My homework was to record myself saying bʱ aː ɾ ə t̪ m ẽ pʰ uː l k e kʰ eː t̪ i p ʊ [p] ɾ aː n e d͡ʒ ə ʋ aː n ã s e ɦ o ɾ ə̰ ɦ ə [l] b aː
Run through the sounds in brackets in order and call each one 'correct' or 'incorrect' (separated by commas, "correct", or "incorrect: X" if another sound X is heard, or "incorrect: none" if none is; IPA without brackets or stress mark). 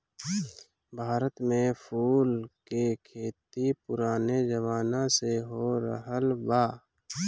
incorrect: none, correct